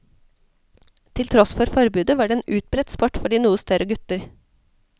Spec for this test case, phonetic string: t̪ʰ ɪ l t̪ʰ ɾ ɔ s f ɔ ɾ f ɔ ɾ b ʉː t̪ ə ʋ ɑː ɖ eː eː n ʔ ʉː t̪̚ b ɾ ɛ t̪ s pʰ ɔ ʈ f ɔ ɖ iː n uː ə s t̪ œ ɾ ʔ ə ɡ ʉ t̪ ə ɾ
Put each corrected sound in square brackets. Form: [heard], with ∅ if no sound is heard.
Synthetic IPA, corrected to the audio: t̪ʰ ɪ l t̪ʰ ɾ ɔ s f ɔ ɾ f ɔ ɾ b ʉː [d̪] ə ʋ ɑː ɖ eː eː n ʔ ʉː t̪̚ b ɾ ɛ t̪ s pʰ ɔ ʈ f ɔ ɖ iː n uː ə s t̪ œ ɾ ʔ ə ɡ ʉ t̪ ə ɾ

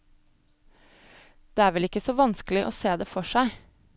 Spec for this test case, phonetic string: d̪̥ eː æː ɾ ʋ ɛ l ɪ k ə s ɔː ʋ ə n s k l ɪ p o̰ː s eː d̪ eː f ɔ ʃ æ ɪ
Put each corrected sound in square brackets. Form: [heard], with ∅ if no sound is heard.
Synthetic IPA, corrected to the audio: d̪̥ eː æː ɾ ʋ ɛ l ɪ k ə s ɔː ʋ [ɑ] n s k l ɪ [ʔ] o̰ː s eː d̪ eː f ɔ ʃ æ ɪ

